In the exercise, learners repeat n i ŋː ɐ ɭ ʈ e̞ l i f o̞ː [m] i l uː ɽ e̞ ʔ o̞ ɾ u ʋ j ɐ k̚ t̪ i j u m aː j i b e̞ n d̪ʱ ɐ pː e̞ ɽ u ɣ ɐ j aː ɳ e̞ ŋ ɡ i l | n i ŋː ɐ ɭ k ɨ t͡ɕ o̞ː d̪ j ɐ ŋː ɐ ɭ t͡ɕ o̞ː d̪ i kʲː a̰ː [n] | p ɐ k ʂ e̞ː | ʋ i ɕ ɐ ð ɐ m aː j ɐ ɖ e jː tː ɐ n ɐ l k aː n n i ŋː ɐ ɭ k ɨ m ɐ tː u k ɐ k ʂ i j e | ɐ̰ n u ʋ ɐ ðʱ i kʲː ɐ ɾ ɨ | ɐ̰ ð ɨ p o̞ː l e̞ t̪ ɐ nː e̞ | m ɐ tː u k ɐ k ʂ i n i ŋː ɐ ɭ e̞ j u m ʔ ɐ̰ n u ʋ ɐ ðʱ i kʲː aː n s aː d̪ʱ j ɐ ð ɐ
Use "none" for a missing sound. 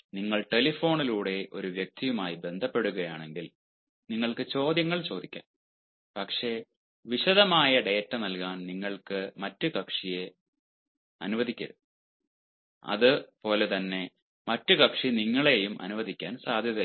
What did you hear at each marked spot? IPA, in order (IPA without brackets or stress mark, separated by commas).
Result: ɳ, n